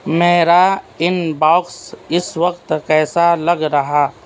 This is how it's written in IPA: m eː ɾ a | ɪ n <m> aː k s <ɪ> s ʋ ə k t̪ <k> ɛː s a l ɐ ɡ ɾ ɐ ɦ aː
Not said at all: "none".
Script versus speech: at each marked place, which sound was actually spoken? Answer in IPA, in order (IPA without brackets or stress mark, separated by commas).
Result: b, ɪ, k